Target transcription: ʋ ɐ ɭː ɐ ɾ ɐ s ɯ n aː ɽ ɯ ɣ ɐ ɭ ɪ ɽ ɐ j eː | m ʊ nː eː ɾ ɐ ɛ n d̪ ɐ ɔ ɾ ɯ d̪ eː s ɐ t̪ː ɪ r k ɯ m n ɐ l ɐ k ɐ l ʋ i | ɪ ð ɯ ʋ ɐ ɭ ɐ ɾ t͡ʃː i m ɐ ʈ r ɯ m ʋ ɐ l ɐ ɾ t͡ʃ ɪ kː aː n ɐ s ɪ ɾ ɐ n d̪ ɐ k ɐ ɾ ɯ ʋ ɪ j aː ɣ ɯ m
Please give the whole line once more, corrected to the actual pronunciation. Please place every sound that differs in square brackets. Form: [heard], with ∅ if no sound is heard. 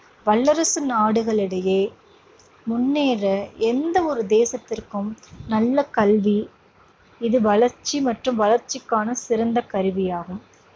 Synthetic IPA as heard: ʋ ɐ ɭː ɐ ɾ ɐ s ɯ n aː ɽ ɯ ɣ ɐ ɭ ɪ ɽ ɐ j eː | m ʊ nː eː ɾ ɐ ɛ n d̪ ɐ ɔ ɾ ɯ d̪ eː s ɐ t̪ː ɪ r k ɯ m n ɐ [lː] ɐ k ɐ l ʋ i | ɪ ð ɯ ʋ ɐ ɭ ɐ ɾ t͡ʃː i m ɐ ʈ r ɯ m ʋ ɐ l ɐ ɾ t͡ʃ ɪ kː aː n ɐ s ɪ ɾ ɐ n d̪ ɐ k ɐ ɾ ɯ ʋ ɪ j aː ɣ ɯ m